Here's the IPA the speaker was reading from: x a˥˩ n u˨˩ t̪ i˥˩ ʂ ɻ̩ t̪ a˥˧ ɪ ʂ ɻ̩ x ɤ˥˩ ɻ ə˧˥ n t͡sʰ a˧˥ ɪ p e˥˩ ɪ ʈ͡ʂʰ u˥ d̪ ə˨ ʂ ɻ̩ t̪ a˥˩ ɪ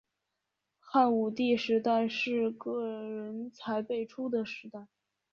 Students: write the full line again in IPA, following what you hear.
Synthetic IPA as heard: x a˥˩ n u˨˩ t̪ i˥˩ ʂ ɻ̩ t̪ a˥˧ ɪ ʂ ɻ̩ k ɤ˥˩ ɻ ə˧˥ n t͡sʰ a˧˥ ɪ p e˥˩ ɪ ʈ͡ʂʰ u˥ d̪ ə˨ ʂ ɻ̩ t̪ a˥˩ ɪ